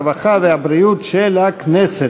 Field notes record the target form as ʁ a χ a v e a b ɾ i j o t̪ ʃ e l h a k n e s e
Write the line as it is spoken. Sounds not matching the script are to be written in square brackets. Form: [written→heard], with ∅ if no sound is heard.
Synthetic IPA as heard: [ʁ→v] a χ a v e a b ɾ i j [o→u] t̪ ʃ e l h a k n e s e

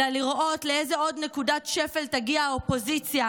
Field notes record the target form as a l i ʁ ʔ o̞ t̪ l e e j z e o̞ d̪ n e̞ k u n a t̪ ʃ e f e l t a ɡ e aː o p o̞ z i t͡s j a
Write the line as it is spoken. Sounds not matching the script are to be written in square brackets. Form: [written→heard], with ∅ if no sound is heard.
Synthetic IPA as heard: a l i ʁ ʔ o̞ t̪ l e e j z e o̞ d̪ n e̞ k u [n→d] a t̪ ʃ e f e l t a ɡ [e→i] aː o p o̞ z i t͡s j a

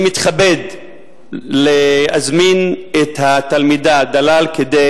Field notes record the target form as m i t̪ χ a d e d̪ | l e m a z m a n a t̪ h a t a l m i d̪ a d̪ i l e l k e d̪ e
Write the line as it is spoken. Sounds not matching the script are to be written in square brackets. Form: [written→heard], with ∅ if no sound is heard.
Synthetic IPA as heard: m i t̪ χ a [d→b] e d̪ | l e [m→∅] a z m [a→i] n [a→e] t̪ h a t a l m i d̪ a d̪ [i→a] l [e→a] l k e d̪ e

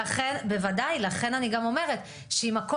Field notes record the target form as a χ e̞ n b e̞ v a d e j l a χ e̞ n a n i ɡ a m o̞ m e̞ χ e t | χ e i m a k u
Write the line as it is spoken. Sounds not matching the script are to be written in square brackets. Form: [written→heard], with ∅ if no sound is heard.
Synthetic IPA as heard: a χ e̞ n b e̞ v a d [e→a] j l a χ e̞ n a n i ɡ a m o̞ m e̞ [χ→ʁ] e t | [χ→ʃ] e i m a k [u→o]

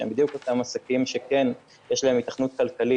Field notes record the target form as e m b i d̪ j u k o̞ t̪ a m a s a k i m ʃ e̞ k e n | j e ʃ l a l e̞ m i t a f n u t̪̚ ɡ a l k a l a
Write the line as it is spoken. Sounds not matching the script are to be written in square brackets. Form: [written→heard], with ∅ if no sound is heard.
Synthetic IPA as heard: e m b i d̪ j u k o̞ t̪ a m a s a k i m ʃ e̞ k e n | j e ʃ l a [l→∅] e̞ m i t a [f→χ] n u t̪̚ [ɡ→k] a l k a l [a→i]

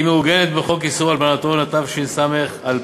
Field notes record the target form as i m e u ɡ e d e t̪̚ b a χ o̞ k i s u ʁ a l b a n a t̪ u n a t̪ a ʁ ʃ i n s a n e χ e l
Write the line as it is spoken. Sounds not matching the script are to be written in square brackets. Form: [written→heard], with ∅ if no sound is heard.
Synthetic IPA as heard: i m e u ɡ e [d→n] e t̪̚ b [a→e] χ o̞ k i s u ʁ a l b a n a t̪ [u→o] n a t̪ a [ʁ→v] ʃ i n s a [n→m] e χ [e→a] l

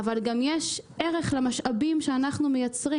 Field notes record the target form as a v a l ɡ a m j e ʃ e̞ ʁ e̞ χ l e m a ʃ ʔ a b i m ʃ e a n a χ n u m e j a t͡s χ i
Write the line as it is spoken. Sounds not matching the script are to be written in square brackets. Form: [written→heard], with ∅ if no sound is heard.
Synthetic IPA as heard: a v a l ɡ a m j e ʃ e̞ ʁ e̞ χ l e m a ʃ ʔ a b i m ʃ e a n a χ n u m e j a t͡s [χ→ʁ] i

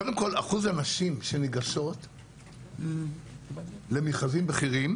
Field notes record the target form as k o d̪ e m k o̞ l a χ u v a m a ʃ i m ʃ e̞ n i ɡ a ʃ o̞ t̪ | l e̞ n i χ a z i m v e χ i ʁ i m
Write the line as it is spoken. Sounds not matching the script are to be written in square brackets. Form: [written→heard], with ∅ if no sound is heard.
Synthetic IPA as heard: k o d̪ e m k o̞ l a χ u [v→z] a [m→n] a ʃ i m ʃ e̞ n i ɡ a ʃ o̞ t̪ | l e̞ [n→m] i χ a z i m [v→b] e χ i ʁ i m

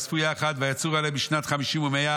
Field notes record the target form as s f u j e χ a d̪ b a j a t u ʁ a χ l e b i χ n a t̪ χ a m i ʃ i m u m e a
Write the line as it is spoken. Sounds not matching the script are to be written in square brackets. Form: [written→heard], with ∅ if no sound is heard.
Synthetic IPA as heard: s f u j [e→a] χ a d̪ [b→v] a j a [t→t͡s] u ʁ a [χ→∅] l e b i [χ→ʃ] n a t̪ χ a m i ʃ i m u m e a

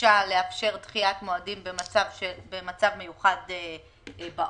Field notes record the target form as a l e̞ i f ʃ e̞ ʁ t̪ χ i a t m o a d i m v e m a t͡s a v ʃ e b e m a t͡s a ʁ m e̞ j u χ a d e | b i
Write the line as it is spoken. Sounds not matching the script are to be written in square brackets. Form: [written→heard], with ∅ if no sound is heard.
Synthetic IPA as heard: a l e̞ [i→a] f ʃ e̞ ʁ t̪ χ i a t m o a d i m [v→b] e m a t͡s a v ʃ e b e m a t͡s a [ʁ→v] m e̞ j u χ a d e | b [i→a]

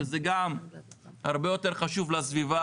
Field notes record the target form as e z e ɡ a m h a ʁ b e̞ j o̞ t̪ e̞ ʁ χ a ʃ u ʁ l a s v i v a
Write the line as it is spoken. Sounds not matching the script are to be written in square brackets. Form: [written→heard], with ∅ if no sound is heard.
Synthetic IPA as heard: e z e ɡ a m h a ʁ b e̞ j o̞ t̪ e̞ ʁ χ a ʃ u [ʁ→v] l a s v i v a

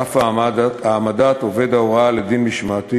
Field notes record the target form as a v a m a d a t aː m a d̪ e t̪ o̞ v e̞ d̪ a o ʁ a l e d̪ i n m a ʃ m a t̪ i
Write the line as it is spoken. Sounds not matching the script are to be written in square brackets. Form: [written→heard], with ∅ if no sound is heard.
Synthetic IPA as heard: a [v→f] a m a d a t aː m a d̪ [e→a] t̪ o̞ v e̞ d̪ a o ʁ a l e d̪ i n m [a→i] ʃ m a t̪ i

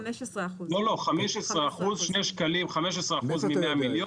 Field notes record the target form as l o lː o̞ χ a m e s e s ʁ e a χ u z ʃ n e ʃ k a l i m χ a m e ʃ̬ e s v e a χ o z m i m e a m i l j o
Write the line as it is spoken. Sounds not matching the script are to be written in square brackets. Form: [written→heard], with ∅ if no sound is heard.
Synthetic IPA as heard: l o [lː→l] o̞ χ a m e [s→ʃ] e s ʁ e a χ u z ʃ n e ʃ k a l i m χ a m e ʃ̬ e s [v→ʁ] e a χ [o→u] z m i m e a m i l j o

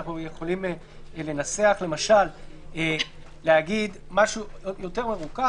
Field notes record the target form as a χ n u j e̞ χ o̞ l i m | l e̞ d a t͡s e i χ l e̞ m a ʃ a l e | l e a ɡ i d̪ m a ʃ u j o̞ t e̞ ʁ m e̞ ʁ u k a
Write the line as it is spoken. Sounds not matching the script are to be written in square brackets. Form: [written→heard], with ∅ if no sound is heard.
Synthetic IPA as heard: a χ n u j e̞ χ o̞ l i m | l e̞ [d→n] a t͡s e [i→a] χ l e̞ m a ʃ a l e | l e a ɡ i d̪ m a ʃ u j o̞ t e̞ ʁ m e̞ ʁ u k a

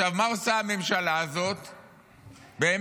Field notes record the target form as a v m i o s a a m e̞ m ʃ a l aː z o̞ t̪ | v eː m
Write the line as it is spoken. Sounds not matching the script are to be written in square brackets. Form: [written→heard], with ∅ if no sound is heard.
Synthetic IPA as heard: a v m [i→a] o s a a m e̞ m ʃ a l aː z o̞ t̪ | [v→b] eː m

